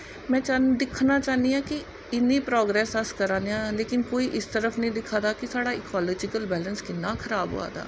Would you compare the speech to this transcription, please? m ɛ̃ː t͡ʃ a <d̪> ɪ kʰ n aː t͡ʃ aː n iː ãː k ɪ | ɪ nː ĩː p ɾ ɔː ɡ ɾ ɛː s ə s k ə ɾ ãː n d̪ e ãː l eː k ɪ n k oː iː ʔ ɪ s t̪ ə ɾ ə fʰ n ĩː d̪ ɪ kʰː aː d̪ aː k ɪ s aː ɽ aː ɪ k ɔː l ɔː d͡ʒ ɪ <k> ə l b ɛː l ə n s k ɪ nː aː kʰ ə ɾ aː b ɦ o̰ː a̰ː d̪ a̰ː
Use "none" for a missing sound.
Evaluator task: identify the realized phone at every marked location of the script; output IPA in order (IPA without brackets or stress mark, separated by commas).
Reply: d̪, k